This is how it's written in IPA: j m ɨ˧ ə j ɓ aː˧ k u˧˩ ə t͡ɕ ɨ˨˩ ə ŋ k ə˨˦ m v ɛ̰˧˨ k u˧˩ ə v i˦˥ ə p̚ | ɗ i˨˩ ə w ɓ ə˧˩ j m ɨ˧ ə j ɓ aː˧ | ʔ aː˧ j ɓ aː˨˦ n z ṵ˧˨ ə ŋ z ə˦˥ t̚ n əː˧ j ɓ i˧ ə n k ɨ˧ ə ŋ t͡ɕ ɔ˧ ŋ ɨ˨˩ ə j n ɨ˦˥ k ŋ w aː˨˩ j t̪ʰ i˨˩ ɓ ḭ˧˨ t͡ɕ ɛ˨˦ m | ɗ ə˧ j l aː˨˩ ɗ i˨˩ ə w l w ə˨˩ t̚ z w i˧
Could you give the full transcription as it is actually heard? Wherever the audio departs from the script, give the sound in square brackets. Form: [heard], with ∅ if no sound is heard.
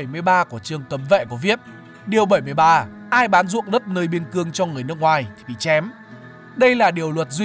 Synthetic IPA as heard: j m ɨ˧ ə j ɓ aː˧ k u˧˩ ə t͡ɕ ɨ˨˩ ə ŋ k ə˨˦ m v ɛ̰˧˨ k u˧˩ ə v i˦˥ ə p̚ | ɗ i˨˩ ə w ɓ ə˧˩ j m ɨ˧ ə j ɓ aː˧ | ʔ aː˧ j ɓ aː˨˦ n z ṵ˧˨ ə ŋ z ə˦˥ t̚ n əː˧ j ɓ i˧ ə n k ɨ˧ ə ŋ t͡ɕ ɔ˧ ŋ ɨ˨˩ ə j n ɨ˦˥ k ŋ w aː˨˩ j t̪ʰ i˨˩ ɓ ḭ˧˨ t͡ɕ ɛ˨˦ m | ɗ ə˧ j l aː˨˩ ɗ i˨˩ ə w l w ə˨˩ t̚ z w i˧